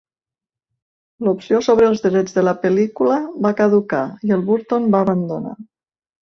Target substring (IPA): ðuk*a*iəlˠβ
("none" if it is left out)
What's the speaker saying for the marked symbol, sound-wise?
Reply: a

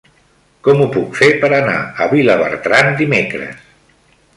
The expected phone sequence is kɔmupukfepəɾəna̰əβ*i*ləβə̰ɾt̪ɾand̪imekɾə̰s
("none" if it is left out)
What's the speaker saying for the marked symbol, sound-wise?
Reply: i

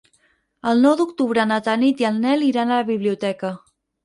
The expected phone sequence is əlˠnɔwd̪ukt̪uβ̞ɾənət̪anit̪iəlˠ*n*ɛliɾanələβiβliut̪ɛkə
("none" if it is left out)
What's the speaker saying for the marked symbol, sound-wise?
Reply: n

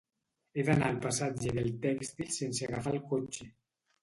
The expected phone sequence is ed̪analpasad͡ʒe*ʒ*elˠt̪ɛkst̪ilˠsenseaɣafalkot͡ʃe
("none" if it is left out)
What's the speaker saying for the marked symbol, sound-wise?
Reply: ð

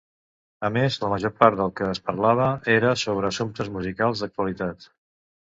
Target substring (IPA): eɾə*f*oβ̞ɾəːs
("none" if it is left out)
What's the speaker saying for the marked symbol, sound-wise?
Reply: s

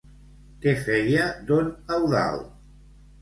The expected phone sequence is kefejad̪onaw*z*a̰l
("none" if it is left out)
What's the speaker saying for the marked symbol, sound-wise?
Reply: ð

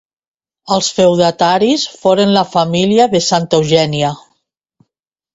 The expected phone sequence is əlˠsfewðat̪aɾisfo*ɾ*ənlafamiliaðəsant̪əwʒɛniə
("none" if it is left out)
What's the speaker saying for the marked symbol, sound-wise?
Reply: ɾ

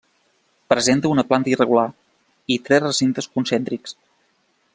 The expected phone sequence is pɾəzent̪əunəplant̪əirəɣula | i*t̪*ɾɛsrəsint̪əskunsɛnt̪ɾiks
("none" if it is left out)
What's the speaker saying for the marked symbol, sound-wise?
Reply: t̪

